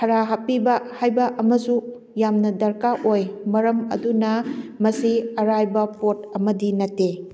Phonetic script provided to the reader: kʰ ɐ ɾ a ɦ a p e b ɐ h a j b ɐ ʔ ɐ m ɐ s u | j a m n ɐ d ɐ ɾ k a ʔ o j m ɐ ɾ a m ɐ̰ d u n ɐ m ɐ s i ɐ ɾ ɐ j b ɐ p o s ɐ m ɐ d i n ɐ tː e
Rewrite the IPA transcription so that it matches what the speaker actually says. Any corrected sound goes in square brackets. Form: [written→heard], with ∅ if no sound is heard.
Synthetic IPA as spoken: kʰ ɐ ɾ a ɦ a p [e→i] b ɐ h a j b ɐ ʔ ɐ m ɐ s u | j a m n ɐ d ɐ ɾ k a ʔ o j m ɐ ɾ [a→ɐ] m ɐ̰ d u n ɐ m ɐ s i ɐ ɾ [ɐ→a] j b ɐ p o [s→t] ɐ m ɐ d i n ɐ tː e